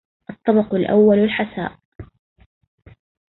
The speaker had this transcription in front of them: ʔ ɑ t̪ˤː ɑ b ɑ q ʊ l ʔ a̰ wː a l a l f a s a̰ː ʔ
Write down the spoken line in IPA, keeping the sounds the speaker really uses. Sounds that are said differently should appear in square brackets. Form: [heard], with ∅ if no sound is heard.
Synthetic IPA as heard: ʔ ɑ t̪ˤː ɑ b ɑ q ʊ l ʔ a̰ wː a l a l [ħ] a s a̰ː ʔ